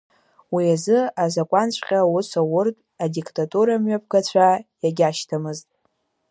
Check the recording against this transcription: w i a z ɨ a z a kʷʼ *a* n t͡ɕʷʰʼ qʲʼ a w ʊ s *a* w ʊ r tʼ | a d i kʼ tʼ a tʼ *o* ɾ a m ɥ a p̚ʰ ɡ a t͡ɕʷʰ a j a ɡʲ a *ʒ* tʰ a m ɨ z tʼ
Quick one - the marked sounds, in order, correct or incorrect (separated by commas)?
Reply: correct, correct, incorrect, incorrect